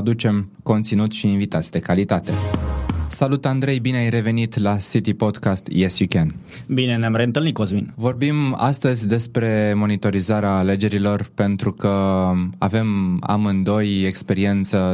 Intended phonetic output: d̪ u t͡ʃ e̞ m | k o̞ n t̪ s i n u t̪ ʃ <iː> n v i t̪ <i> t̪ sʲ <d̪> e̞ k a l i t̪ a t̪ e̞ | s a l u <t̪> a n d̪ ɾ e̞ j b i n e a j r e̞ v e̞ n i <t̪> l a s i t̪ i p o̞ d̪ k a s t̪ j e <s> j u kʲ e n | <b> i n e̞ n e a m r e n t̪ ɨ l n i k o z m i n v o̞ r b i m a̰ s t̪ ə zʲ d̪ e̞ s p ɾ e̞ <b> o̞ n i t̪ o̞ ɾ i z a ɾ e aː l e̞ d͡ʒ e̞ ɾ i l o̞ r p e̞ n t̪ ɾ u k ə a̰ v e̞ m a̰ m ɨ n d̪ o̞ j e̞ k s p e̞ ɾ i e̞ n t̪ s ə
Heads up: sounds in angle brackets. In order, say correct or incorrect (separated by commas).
correct, incorrect, correct, correct, correct, correct, correct, incorrect